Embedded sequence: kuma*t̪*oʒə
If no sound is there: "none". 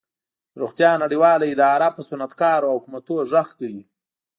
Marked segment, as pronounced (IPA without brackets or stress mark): t̪